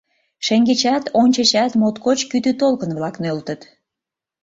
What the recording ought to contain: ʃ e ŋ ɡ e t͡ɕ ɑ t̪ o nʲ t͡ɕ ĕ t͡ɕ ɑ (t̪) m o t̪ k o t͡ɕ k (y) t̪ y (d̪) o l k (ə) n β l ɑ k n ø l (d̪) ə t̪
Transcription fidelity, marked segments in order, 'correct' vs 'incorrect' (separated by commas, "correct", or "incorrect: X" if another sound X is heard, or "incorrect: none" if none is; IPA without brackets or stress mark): correct, correct, incorrect: t̪, correct, incorrect: t̪